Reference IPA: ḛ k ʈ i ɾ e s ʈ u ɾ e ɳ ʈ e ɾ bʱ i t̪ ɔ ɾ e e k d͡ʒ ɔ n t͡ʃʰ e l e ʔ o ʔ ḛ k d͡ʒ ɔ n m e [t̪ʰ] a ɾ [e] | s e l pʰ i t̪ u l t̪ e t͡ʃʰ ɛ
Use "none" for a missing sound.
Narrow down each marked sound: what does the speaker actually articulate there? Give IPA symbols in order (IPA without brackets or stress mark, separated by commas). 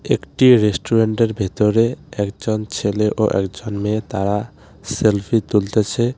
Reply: t̪, a